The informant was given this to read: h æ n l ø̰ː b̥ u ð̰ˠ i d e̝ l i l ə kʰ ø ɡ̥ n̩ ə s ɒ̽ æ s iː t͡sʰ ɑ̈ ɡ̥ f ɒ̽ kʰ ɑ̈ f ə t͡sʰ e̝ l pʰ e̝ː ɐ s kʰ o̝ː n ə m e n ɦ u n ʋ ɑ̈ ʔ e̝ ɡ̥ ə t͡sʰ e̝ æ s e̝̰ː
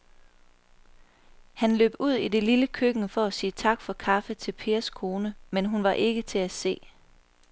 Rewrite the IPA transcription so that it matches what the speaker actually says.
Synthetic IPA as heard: h æ n l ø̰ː b̥ u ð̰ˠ i d e̝ l i l ə kʰ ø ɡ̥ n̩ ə f ɒ̽ æ s iː t͡sʰ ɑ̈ ɡ̥ f ɒ̽ kʰ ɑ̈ f ə t͡sʰ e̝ l pʰ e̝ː ɐ s kʰ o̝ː n ə m e n ɦ u n ʋ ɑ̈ ʔ e̝ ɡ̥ ə t͡sʰ e̝ æ s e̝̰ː